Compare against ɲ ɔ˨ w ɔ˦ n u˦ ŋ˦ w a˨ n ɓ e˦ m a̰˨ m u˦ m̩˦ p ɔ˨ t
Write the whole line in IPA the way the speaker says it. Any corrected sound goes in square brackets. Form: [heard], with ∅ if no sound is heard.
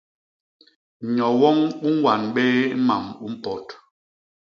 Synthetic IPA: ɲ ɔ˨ w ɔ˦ [ŋ] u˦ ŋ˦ w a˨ n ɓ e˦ m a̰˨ m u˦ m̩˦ p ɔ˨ t